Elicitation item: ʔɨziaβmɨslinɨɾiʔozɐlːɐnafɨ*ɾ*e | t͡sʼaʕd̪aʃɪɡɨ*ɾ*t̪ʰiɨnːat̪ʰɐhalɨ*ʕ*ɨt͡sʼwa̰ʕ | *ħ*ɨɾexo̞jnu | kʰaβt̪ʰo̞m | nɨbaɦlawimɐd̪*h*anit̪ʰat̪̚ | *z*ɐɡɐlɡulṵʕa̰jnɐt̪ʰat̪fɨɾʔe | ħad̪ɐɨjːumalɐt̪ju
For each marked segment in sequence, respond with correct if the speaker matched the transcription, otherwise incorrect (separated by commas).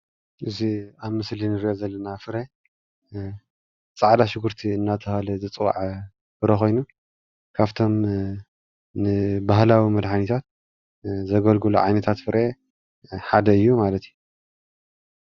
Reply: correct, correct, incorrect, incorrect, incorrect, correct